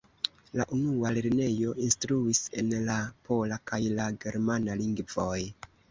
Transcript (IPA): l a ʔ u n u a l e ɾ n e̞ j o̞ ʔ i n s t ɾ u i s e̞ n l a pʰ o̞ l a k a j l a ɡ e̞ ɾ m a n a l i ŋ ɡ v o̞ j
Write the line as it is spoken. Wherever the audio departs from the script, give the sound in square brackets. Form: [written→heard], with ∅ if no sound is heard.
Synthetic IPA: l a ʔ u n u a l e ɾ n e̞ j o̞ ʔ i n s t ɾ u i s e̞ n l a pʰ o̞ l a k a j l a ɡ e̞ ɾ m a n a l i ŋ ɡ v o̞ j